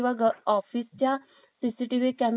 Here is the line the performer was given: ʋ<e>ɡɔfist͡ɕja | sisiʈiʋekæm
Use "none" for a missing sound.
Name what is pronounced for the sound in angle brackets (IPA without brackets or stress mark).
a